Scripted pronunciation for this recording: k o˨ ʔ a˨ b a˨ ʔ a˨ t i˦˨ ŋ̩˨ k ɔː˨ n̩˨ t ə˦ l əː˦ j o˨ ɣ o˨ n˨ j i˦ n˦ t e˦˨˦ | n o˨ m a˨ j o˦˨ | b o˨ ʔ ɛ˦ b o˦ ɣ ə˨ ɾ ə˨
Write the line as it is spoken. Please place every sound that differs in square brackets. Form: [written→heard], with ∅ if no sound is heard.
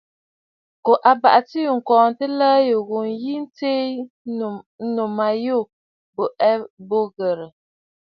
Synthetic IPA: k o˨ ʔ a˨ b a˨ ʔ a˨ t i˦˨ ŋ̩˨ k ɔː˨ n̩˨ t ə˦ l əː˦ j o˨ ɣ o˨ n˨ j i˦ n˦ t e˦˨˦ | n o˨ m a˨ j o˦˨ | b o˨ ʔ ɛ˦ b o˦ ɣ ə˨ ɾ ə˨